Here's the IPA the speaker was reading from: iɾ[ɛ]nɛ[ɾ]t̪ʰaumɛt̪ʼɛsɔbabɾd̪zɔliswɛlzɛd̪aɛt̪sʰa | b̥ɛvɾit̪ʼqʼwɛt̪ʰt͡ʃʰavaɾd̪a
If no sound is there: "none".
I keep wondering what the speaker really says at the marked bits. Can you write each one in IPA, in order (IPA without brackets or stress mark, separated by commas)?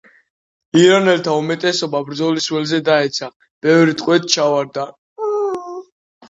a, l